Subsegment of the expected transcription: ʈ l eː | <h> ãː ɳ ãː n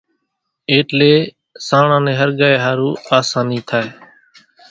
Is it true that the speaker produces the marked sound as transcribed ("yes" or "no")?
no